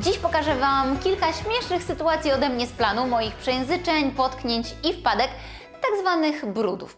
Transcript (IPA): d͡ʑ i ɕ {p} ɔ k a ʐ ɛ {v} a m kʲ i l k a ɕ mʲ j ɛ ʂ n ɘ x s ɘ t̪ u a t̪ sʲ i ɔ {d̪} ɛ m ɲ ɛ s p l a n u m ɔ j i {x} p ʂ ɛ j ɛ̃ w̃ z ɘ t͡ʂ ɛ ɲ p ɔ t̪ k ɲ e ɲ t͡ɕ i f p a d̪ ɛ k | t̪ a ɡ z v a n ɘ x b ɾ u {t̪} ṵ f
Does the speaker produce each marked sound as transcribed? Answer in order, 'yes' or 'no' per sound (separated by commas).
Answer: yes, yes, yes, yes, no